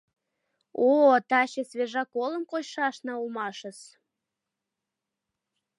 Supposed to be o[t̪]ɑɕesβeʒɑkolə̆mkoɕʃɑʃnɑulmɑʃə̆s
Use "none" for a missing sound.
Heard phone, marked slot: t̪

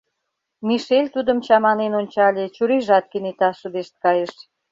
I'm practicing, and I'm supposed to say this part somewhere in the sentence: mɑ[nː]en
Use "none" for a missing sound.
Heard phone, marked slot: n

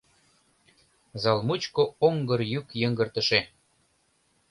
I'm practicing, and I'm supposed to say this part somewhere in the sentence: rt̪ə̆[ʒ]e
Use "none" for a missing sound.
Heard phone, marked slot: ʃ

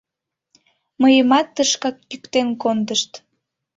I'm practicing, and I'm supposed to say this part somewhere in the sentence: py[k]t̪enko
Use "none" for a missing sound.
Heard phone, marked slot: k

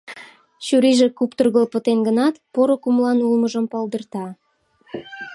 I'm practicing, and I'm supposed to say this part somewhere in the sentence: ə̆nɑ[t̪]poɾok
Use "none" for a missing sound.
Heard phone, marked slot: t̪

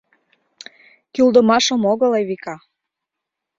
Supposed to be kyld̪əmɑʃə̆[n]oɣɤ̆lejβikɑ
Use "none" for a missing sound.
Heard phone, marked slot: m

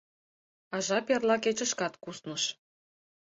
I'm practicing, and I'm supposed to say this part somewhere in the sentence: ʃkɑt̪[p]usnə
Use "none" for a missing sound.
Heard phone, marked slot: k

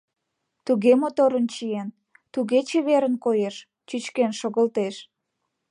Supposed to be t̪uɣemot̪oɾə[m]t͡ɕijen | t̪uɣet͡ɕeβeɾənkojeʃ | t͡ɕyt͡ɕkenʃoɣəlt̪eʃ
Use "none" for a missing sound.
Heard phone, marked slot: n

